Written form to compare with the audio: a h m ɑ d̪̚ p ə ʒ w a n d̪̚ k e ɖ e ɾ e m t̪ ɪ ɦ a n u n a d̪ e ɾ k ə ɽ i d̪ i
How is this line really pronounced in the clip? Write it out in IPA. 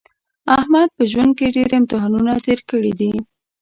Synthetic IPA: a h m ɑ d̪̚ p ə ʒ w a n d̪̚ k e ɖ e ɾ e m t̪ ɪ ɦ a n u n a t̪ e ɾ k ə ɽ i d̪ i